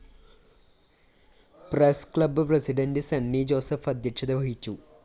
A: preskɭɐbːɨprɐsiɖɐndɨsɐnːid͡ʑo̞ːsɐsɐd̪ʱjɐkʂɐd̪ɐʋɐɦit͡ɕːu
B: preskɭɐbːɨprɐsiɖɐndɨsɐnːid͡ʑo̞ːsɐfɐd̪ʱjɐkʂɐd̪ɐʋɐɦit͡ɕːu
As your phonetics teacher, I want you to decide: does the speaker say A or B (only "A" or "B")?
B